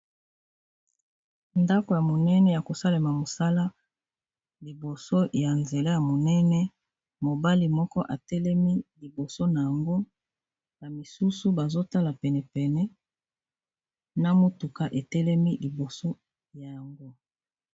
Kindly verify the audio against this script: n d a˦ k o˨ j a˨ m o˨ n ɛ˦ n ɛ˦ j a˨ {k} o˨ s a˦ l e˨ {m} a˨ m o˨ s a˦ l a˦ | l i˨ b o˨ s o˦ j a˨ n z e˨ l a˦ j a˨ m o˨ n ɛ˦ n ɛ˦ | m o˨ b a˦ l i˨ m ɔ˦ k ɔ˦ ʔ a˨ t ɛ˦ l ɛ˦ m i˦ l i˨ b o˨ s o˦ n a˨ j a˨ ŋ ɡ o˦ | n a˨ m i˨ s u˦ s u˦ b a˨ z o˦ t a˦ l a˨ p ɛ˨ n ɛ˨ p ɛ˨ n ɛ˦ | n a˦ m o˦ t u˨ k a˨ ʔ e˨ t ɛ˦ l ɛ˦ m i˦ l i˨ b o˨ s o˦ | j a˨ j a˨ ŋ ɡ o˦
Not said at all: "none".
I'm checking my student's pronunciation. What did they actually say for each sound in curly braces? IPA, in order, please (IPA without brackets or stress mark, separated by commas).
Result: k, m